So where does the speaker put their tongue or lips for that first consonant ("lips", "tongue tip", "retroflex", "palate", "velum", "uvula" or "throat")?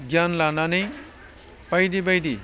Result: velum